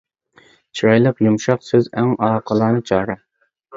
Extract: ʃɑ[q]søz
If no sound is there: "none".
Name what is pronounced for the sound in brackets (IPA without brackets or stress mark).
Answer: q